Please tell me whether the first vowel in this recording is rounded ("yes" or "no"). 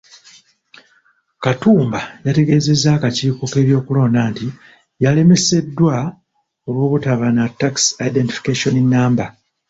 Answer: no